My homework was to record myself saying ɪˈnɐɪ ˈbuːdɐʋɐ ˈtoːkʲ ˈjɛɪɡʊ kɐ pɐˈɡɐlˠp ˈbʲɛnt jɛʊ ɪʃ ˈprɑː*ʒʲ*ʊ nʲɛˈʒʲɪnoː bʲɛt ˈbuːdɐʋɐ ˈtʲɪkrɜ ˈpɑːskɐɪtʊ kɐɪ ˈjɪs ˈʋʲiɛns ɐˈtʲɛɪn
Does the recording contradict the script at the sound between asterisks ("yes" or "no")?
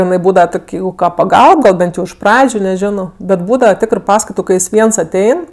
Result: yes